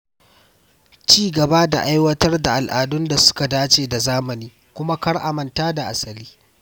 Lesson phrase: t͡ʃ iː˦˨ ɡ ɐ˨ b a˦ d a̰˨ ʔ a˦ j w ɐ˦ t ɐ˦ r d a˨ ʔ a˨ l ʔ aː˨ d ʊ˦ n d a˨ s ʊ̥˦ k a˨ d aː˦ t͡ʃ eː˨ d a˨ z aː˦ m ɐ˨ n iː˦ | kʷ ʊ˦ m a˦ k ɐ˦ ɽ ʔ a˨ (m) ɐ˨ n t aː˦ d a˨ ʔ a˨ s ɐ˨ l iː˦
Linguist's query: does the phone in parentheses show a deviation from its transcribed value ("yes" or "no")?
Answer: no